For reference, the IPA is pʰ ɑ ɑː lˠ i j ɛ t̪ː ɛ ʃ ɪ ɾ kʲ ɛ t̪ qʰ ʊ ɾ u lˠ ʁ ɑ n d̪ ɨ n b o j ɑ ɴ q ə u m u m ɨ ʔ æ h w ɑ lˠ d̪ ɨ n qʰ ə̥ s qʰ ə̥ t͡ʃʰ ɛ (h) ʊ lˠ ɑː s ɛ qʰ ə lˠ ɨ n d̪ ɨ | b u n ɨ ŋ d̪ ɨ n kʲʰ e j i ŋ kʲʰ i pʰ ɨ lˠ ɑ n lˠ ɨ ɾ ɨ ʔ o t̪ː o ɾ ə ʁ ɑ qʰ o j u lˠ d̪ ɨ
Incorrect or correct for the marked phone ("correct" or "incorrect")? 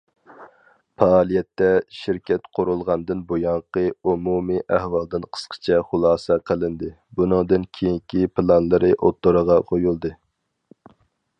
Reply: incorrect